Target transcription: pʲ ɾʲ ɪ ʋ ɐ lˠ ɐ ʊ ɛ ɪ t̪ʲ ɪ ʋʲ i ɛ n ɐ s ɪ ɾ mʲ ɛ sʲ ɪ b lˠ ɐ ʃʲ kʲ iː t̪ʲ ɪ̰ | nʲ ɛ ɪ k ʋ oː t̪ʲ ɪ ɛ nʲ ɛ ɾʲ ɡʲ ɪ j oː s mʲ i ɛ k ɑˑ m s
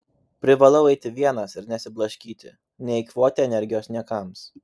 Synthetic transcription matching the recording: pʲ ɾʲ ɪ ʋ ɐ lˠ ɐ ʊ ɛ ɪ t̪ʲ ɪ ʋʲ i ɛ n ɐ s ɪ ɾ nʲ ɛ sʲ ɪ b lˠ ɐ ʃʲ kʲ iː t̪ʲ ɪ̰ | nʲ ɛ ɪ k ʋ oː t̪ʲ ɪ ɛ nʲ ɛ ɾʲ ɡʲ ɪ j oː s nʲ i ɛ k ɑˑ m s